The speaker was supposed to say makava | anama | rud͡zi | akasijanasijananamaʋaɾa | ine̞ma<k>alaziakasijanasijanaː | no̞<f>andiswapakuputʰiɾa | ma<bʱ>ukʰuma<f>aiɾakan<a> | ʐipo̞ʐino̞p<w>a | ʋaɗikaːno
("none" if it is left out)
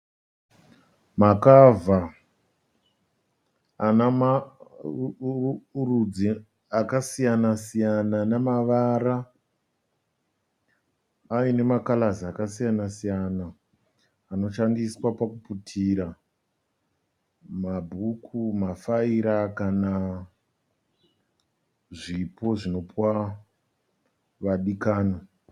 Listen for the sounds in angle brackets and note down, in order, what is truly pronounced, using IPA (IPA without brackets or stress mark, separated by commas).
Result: k, ʃ, bʱ, f, a, w